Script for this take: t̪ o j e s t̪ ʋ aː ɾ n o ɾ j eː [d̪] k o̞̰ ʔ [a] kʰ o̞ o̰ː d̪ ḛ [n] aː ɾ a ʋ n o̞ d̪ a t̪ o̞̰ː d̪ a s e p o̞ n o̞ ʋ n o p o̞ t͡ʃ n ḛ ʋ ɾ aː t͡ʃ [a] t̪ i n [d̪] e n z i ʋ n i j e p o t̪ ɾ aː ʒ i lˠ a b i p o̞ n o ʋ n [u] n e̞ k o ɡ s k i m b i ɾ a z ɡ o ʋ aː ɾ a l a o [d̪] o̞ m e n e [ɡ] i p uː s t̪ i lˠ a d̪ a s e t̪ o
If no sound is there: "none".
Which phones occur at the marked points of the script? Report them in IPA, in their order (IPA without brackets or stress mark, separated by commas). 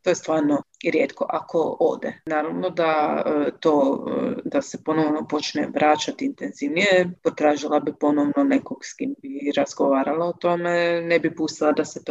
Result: t̪, a, n, a, t̪, o, t̪, b